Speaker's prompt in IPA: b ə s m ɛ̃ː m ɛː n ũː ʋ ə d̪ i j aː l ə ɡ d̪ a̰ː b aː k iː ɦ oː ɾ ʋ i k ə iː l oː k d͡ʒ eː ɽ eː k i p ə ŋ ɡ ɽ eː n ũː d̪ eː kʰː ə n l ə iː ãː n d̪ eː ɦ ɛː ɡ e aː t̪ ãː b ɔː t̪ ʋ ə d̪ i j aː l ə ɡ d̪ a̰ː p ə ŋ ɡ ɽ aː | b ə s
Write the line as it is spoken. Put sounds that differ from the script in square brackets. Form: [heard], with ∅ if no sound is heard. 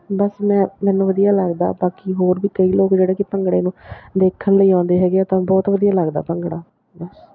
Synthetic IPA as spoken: b ə s m ɛ̃ː m ɛː n ũː ʋ ə d̪ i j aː l ə ɡ d̪ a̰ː b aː k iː ɦ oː ɾ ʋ [iː] k ə iː l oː k d͡ʒ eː ɽ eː k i p ə ŋ ɡ ɽ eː n ũː d̪ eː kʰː ə n l ə iː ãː n d̪ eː ɦ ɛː ɡ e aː t̪ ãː b ɔː t̪ ʋ ə d̪ i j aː l ə ɡ d̪ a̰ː p ə ŋ ɡ ɽ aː | b ə s